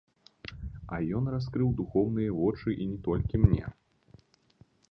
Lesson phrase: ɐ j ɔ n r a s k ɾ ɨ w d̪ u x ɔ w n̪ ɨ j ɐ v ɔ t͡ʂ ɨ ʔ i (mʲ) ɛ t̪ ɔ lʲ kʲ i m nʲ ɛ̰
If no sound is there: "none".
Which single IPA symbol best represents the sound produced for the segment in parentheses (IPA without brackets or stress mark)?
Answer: nʲ